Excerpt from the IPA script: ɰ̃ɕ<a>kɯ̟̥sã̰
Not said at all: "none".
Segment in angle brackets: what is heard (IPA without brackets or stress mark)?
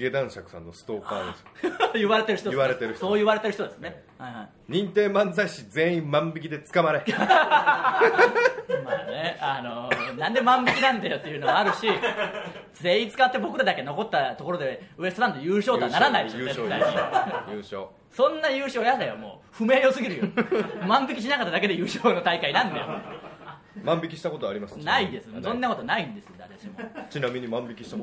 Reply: a